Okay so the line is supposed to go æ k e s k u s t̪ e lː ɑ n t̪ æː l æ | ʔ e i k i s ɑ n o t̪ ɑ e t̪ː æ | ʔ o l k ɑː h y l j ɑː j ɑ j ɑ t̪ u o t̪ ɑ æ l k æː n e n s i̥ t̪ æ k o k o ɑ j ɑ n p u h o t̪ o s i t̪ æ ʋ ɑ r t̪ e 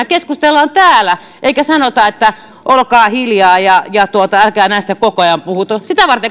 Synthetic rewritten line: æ k e s k u s t̪ e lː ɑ n t̪ æː l æ | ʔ e i k æ s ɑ n o t̪ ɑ e t̪ː æ | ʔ o l k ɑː h i l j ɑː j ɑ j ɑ t̪ u o t̪ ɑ æ l k æː n æ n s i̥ t̪ æ k o k o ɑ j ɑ m p u h u t̪ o s i t̪ æ ʋ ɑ r t̪ e